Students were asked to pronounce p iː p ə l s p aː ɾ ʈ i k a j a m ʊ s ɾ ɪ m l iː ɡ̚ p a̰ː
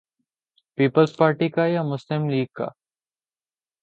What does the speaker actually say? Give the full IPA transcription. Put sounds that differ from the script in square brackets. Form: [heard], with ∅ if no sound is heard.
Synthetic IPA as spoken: p iː p ə l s p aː ɾ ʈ i k a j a m ʊ s [l] ɪ m l iː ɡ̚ [k] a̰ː